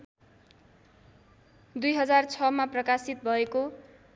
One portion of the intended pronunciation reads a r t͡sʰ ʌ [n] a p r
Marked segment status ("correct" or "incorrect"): incorrect